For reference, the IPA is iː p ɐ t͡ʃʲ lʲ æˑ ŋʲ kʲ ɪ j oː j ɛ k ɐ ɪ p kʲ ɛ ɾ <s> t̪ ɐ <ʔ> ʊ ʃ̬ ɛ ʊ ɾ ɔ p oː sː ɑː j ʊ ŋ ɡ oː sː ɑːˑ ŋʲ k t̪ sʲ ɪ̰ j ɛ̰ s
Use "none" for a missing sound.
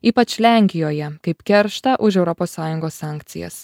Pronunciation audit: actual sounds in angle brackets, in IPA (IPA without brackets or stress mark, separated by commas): ʃ, ʔ